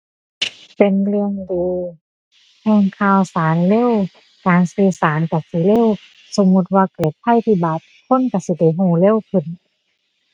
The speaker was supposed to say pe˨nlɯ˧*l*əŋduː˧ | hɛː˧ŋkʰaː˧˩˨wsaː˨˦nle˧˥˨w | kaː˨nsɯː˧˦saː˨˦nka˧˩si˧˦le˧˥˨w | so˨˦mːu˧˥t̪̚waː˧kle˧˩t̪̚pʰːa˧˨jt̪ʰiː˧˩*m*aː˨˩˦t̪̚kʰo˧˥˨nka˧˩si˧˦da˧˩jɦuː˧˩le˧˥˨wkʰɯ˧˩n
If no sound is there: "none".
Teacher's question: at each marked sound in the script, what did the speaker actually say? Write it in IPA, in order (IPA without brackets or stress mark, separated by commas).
none, b